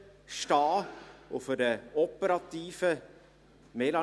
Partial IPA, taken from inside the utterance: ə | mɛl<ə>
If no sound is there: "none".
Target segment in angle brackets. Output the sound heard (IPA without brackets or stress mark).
ɑ